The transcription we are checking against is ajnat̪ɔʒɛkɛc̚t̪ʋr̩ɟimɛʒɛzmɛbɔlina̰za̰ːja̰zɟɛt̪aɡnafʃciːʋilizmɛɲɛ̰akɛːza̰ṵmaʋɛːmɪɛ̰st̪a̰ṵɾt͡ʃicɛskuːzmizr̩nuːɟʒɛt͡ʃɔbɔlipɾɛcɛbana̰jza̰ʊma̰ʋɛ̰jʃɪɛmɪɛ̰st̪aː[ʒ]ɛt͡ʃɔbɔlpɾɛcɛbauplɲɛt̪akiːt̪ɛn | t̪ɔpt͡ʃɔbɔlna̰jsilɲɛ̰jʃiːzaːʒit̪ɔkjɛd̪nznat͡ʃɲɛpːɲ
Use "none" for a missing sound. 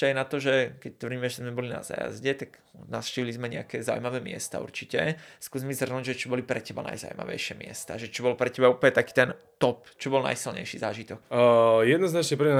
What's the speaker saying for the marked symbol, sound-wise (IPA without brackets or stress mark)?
ʒ